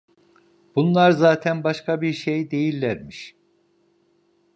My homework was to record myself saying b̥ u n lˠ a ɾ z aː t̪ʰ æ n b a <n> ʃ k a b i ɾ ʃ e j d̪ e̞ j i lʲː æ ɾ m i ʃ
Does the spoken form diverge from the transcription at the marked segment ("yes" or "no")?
yes